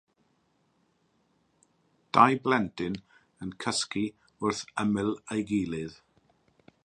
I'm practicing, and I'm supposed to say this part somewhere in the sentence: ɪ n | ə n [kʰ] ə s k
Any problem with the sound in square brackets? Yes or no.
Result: no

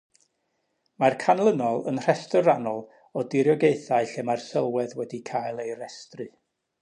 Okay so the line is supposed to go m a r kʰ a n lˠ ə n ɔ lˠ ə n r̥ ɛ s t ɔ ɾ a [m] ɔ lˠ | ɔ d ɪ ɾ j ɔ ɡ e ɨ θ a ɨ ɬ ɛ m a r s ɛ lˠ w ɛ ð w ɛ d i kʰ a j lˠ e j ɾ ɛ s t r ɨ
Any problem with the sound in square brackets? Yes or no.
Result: yes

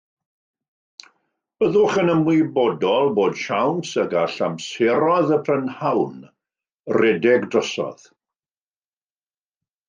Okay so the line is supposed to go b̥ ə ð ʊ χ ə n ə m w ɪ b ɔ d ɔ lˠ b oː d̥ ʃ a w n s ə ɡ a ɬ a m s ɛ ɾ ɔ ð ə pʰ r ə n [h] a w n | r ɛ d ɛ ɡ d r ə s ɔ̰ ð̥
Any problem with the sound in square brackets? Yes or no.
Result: no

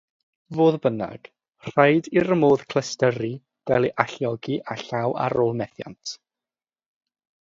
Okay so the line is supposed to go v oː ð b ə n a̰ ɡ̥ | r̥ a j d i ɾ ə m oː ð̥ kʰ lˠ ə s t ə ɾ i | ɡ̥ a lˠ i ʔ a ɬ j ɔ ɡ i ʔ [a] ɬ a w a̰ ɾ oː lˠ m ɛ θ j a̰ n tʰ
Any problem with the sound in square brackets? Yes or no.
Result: no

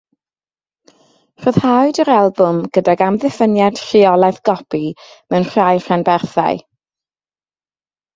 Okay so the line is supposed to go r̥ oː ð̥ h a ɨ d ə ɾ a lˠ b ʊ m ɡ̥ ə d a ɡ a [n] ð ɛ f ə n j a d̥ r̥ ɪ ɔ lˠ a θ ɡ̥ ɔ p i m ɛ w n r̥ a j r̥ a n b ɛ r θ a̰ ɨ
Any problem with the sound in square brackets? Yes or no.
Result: yes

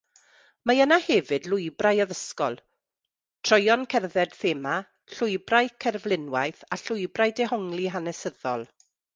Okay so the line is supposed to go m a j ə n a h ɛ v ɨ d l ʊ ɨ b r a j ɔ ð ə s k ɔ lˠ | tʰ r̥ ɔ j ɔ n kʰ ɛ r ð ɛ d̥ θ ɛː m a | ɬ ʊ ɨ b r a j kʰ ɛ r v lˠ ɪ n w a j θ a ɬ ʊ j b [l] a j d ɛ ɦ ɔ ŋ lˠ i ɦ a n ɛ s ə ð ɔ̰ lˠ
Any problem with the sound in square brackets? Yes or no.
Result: yes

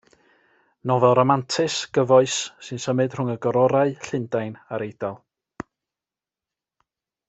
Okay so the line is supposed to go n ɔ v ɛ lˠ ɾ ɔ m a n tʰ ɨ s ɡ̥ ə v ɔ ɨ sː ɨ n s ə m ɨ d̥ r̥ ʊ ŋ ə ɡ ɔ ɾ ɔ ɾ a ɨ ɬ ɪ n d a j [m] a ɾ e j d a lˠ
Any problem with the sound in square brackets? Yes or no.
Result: yes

